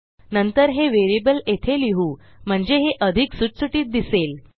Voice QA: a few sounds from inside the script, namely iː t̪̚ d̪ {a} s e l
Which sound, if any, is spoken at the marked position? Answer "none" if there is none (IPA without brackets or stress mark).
i